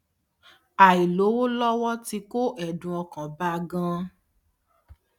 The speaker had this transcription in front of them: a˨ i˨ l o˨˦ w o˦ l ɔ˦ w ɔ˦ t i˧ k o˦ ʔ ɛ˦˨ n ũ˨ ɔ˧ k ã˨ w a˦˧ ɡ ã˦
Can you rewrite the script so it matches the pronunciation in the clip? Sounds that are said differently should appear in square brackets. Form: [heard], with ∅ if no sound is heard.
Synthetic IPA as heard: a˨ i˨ l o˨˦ w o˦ l ɔ˦ w ɔ˦ t i˧ k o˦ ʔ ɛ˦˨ [d] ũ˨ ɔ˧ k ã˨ [b] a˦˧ ɡ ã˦